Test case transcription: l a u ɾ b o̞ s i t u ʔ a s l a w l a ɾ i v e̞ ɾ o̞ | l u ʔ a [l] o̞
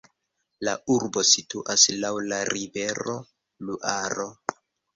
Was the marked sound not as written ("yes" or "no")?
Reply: yes